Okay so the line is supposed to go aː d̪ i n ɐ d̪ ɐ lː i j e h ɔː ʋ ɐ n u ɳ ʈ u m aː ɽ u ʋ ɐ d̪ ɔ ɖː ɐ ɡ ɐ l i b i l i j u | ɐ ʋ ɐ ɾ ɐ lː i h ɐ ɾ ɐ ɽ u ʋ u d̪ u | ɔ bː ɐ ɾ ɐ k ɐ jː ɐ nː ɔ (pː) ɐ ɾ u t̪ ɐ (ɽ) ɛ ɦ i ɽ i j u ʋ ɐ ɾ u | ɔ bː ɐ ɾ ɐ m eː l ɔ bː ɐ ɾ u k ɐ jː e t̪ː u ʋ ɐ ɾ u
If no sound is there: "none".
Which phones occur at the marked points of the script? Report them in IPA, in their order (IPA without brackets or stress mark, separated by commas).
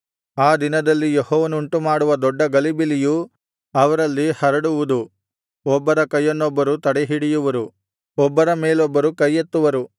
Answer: bː, ɽ